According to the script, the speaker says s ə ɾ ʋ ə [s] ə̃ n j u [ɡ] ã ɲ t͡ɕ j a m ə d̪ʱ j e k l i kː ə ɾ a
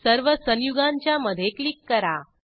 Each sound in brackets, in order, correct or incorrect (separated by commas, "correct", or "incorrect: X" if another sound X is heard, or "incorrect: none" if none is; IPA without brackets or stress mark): correct, correct